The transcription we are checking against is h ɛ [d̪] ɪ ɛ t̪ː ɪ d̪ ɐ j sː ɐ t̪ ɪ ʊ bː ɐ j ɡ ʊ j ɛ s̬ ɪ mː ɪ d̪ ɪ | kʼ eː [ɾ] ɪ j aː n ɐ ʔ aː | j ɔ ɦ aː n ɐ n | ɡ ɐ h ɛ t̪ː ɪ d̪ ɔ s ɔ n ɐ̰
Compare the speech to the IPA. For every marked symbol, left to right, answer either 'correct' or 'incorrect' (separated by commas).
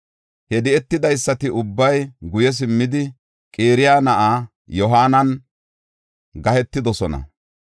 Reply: correct, correct